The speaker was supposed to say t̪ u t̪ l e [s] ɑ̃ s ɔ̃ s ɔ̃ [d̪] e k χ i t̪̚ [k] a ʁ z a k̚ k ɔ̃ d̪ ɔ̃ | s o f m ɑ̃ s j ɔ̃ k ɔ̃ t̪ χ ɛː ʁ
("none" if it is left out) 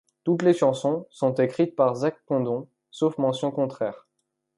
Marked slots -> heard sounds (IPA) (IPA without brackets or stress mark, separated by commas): ʃ, t̪, p